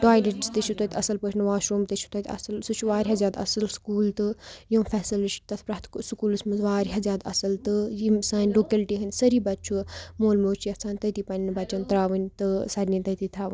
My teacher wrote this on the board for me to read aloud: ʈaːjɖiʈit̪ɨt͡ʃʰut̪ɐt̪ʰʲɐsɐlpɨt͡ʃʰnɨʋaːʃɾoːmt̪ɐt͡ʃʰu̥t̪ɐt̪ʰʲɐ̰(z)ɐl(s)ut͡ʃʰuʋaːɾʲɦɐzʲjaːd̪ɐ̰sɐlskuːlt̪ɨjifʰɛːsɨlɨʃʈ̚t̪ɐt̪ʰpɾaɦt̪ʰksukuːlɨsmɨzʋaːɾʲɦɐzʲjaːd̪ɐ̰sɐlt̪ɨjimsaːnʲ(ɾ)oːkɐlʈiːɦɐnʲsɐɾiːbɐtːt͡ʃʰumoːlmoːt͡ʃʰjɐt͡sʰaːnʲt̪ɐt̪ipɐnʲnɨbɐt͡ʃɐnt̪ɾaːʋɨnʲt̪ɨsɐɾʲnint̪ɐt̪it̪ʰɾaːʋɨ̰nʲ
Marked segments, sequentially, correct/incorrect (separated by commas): incorrect, correct, incorrect